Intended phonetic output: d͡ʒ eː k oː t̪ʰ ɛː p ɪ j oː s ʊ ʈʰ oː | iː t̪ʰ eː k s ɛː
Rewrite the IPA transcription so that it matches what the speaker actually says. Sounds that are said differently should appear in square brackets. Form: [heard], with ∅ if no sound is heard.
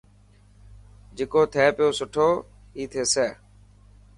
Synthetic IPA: d͡ʒ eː k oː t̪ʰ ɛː p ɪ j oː s ʊ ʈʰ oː | iː t̪ʰ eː [∅] s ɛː